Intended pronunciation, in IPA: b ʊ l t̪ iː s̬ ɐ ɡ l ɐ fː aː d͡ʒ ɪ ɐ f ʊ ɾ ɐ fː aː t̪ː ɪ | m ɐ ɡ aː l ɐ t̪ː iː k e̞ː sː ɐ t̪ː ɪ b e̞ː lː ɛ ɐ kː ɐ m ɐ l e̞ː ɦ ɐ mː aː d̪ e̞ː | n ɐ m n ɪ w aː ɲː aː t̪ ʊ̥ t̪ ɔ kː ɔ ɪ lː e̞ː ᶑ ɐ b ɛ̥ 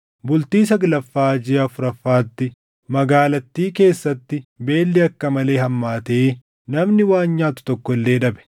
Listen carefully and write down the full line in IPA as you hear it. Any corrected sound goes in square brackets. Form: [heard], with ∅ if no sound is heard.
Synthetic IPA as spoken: b ʊ l t̪ iː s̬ ɐ ɡ l ɐ fː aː d͡ʒ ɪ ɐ f ʊ ɾ ɐ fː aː t̪ː ɪ | m ɐ ɡ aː l ɐ t̪ː iː k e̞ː sː ɐ t̪ː ɪ b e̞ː lː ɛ ɐ kː ɐ m ɐ l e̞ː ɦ ɐ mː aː [t̪] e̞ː | n ɐ m n ɪ w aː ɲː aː t̪ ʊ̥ t̪ ɔ kː ɔ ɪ lː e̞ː ᶑ ɐ b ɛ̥

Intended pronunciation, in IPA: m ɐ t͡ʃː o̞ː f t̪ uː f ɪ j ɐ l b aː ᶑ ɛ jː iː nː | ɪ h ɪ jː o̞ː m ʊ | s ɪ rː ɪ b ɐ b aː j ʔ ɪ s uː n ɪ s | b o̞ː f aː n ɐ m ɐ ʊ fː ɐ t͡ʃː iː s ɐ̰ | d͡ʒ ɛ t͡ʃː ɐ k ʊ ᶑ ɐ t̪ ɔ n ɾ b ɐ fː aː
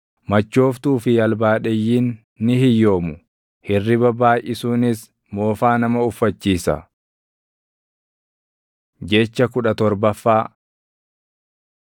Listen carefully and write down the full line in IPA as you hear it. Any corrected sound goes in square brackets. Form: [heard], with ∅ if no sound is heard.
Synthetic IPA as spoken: m ɐ t͡ʃː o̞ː f t̪ uː f ɪ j ɐ l b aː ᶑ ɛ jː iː nː | ɪ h ɪ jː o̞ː m ʊ | [h] ɪ rː ɪ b ɐ b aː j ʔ ɪ s uː n ɪ s | [m] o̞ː f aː n ɐ m ɐ ʊ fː ɐ t͡ʃː iː s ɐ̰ | d͡ʒ ɛ t͡ʃː ɐ k ʊ ᶑ ɐ t̪ ɔ [∅] ɾ b ɐ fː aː

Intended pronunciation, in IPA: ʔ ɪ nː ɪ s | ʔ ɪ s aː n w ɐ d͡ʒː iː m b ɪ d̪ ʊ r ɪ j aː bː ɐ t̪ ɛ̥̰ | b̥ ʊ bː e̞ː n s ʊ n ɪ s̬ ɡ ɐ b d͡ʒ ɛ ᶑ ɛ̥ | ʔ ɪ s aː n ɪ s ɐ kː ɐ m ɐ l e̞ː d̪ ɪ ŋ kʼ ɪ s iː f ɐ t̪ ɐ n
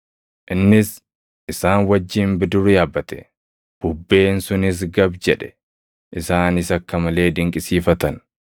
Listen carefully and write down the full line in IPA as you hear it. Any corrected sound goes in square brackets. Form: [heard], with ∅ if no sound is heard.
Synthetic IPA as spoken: ʔ ɪ nː ɪ s | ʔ ɪ s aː n w ɐ d͡ʒː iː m b ɪ d̪ ʊ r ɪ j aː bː ɐ t̪ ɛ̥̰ | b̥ ʊ bː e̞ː n s ʊ n ɪ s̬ ɡ ɐ b d͡ʒ ɛ ᶑ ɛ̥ | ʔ ɪ s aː n ɪ s ɐ kː ɐ m ɐ l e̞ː d̪ ɪ ŋ kʼ ɪ s iː f ɐ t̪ ɐ n

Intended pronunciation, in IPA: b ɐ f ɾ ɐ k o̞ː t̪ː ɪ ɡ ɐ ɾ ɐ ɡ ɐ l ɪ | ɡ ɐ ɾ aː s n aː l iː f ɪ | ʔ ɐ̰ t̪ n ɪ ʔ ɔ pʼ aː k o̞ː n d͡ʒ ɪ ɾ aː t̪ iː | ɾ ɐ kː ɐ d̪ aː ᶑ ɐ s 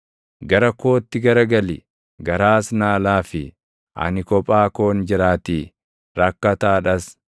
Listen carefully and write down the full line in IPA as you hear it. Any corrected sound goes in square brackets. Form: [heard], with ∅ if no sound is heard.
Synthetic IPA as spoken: [ɡ] ɐ [∅] ɾ ɐ k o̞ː t̪ː ɪ ɡ ɐ ɾ ɐ ɡ ɐ l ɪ | ɡ ɐ ɾ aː s n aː l [aː] f ɪ | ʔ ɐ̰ [∅] n ɪ [k] ɔ pʼ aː k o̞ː n d͡ʒ ɪ ɾ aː t̪ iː | ɾ ɐ kː ɐ [t̪] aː ᶑ ɐ s

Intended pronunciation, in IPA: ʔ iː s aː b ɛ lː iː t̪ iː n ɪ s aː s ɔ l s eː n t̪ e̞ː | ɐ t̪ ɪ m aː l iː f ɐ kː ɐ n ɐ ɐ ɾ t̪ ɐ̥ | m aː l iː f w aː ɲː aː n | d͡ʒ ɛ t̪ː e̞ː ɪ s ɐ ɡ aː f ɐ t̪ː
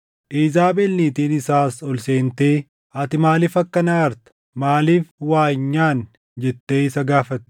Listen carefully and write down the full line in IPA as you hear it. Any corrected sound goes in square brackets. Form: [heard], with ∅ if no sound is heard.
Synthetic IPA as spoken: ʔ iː [z] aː b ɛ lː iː t̪ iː n ɪ s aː s ɔ l s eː n t̪ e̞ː | ɐ t̪ ɪ m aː l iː f ɐ kː ɐ n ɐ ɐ ɾ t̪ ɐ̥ | m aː l iː f w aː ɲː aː n | d͡ʒ ɛ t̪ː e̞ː ɪ s ɐ ɡ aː f ɐ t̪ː

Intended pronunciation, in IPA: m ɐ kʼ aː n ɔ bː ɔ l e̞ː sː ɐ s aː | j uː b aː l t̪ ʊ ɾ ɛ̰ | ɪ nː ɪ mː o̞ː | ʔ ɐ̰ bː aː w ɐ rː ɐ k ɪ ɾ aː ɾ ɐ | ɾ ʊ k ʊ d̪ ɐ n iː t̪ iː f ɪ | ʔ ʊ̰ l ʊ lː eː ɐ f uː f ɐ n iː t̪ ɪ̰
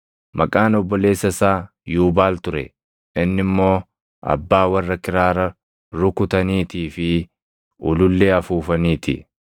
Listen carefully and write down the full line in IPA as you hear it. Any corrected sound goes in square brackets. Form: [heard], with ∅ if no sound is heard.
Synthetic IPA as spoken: m ɐ kʼ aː n ɔ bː ɔ l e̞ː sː ɐ s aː | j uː b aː l t̪ ʊ ɾ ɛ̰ | ɪ nː ɪ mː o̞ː | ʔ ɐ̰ bː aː w ɐ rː ɐ k ɪ ɾ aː ɾ ɐ | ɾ ʊ k ʊ [t̪] ɐ n iː t̪ iː f ɪ | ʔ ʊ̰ l ʊ lː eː ɐ f uː f ɐ n iː t̪ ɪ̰

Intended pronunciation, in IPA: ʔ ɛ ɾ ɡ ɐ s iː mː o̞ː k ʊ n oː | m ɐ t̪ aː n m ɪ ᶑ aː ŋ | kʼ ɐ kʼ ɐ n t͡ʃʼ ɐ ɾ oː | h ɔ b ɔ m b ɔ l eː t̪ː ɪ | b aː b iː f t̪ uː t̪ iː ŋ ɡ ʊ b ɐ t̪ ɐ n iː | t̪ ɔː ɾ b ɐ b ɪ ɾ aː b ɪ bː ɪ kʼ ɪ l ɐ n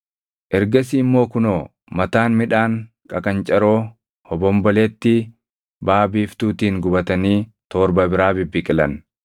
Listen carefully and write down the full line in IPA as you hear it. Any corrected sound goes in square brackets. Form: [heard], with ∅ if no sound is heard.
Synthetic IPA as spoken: ʔ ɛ ɾ ɡ ɐ s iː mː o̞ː k ʊ n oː | m ɐ t̪ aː n m ɪ ᶑ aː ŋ | kʼ ɐ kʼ ɐ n t͡ʃʼ ɐ ɾ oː | h ɔ b ɔ m b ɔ l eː t̪ː ɪ | b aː b iː f t̪ uː t̪ iː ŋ ɡ ʊ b ɐ t̪ ɐ n iː | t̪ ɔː ɾ b ɐ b ɪ ɾ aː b ɪ bː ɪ kʼ ɪ l ɐ n

